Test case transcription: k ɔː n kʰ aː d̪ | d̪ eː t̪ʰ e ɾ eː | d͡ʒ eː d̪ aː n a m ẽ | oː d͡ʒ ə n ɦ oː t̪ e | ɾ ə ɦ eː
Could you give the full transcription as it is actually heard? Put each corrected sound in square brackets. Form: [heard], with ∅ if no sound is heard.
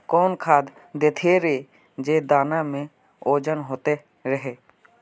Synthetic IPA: k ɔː n kʰ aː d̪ | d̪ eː t̪ʰ e ɾ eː | d͡ʒ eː d̪ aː n a m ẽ | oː d͡ʒ ə n ɦ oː t̪ e | ɾ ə ɦ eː